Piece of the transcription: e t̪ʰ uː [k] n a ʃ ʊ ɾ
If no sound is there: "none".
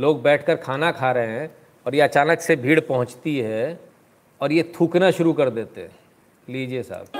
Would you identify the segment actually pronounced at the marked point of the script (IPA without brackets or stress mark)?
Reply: k